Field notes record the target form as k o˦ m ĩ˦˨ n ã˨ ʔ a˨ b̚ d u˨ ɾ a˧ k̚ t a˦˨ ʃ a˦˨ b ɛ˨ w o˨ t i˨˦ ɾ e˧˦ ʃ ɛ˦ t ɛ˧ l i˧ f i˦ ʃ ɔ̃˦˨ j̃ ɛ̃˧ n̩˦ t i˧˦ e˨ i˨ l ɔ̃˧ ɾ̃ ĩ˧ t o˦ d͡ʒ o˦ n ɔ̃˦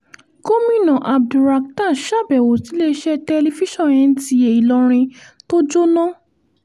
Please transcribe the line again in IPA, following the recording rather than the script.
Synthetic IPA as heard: k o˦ m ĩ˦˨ n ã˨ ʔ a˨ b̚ d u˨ ɾ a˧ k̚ t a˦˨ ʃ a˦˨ b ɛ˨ w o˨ t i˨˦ l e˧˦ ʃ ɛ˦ t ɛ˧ l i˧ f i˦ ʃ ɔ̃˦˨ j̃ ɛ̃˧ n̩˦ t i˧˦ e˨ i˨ l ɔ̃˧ ɾ̃ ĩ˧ t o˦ d͡ʒ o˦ n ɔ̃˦